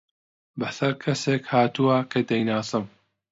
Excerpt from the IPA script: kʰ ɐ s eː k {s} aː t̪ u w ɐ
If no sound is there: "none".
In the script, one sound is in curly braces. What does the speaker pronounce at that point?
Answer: h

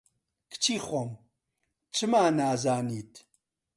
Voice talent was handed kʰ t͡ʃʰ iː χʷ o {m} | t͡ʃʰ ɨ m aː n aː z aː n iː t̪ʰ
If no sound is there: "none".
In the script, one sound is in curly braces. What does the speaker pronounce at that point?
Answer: m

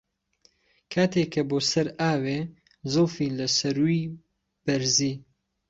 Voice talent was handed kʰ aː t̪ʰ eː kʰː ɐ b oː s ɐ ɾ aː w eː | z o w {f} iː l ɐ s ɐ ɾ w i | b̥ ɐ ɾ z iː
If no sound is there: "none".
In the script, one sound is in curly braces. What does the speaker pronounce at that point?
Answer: f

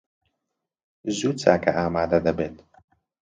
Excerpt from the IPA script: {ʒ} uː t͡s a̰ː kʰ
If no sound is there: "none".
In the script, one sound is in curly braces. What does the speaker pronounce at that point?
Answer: z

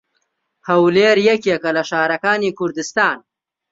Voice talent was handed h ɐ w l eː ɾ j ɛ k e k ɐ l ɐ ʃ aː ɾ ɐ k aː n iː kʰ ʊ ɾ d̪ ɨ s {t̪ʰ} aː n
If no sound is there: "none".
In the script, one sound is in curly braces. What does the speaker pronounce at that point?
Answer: t̪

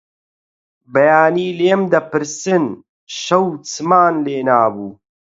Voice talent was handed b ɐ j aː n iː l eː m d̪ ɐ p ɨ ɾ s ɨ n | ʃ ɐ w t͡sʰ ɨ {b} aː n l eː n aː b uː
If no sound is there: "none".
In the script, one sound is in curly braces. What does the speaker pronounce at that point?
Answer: m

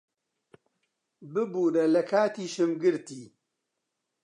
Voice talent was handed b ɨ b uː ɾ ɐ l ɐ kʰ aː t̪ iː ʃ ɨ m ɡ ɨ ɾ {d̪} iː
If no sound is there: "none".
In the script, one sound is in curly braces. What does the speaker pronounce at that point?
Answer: t̪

